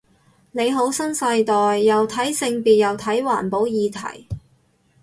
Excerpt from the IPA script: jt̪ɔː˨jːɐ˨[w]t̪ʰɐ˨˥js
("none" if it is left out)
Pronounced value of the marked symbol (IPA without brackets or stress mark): w